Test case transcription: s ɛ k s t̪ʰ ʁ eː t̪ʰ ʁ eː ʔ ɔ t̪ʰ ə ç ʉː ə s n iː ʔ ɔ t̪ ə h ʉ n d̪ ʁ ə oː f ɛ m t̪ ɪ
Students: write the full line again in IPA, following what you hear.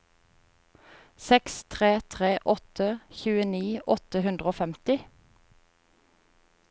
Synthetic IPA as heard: s ɛ k s t̪ʰ ʁ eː t̪ʰ ʁ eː ʔ ɔ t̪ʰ ə ç ʉː ə n iː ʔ ɔ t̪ ə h ʉ n d̪ ʁ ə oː f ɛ m t̪ ɪ

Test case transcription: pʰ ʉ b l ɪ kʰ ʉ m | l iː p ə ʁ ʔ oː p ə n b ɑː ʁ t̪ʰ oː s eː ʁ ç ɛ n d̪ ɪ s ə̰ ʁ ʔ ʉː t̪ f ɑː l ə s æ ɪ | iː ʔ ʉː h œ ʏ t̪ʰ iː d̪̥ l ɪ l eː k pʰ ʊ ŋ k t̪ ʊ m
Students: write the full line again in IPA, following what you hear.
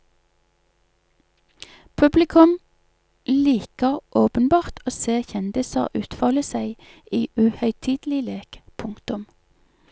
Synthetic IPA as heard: pʰ ʉ b l ɪ kʰ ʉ m | l iː k ə ʁ ʔ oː p ə n b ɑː ʁ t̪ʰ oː s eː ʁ ç ɛ n d̪ ɪ s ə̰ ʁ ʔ ʉː t̪ f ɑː l ə s æ ɪ | iː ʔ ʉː h œ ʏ t̪ʰ iː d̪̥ l ɪ l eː k pʰ ʊ ŋ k t̪ ʊ m

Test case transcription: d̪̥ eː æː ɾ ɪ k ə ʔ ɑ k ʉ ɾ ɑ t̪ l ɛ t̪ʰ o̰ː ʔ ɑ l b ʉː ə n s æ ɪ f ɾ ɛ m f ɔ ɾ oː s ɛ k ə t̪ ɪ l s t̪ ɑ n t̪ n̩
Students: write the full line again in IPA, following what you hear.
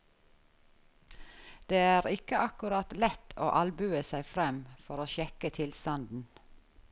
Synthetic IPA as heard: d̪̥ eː æː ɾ ɪ k ə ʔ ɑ k ʉ ɾ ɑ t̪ l ɛ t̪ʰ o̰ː ʔ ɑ l b ʉː ə s æ ɪ f ɾ ɛ m f ɔ ɾ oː ʃ ɛ k ə t̪ʰ ɪ l s t̪ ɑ n d̪ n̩

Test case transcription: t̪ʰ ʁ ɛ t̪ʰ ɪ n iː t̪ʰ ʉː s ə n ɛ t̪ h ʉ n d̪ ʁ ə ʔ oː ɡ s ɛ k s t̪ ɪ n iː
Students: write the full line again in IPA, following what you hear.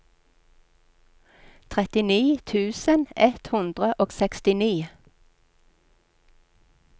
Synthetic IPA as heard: t̪ʰ ʁ ɛ t̪ ɪ n iː t̪ʰ ʉː s ə n ɛ t̪ h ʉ n d̪ ʁ ə ʔ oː ɡ s ɛ k s t̪ ɪ n iː

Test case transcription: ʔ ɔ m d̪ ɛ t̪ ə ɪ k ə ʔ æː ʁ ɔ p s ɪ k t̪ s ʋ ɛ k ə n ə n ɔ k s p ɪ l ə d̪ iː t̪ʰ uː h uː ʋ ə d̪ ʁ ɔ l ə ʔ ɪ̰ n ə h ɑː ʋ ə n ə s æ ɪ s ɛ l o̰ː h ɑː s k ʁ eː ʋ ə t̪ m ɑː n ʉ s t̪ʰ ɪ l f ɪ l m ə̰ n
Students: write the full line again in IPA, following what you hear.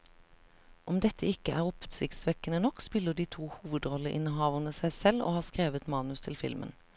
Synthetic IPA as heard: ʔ ɔ m d̪ ɛ t̪ ə ɪ k ə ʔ æː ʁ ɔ p s ɪ k t̪ s ʋ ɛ k ə n ə n ɔ k s p ɪ l ə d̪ iː t̪ʰ uː h uː ʋ ə d̪ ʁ ɔ l ə ʔ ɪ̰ n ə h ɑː ʋ ə n ə s æ ɪ s ɛ l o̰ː h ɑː s k ʁ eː ʋ ə t̪ m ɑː n ʉ s t̪ʰ ɪ l f ɪ l m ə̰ n

